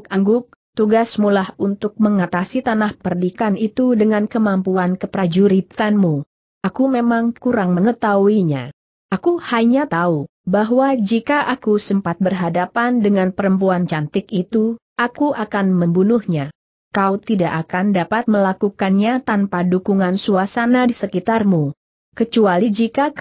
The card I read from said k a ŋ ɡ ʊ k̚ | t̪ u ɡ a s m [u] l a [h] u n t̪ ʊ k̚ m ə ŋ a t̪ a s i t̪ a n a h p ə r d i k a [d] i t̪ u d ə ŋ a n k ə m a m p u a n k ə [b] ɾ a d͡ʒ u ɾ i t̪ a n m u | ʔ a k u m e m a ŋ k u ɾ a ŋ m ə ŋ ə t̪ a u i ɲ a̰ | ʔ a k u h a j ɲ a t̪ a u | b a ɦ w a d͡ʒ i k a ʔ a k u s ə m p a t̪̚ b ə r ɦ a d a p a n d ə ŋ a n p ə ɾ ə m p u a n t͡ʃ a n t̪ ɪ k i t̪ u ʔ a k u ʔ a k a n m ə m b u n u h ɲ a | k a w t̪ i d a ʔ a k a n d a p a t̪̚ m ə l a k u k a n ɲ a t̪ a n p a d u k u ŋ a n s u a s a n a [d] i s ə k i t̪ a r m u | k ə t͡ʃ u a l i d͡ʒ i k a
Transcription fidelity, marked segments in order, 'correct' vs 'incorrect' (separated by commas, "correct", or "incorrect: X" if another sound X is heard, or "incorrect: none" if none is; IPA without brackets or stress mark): correct, correct, incorrect: n, incorrect: p, correct